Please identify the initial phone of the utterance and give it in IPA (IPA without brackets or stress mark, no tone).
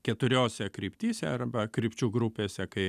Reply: kʲ